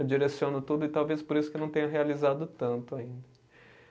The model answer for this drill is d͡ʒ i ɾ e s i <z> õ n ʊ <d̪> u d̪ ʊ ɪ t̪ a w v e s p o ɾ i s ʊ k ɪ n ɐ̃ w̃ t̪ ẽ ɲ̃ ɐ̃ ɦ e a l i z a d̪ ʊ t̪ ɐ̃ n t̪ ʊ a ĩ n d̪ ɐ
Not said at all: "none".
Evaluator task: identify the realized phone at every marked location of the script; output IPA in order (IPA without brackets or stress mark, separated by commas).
none, t̪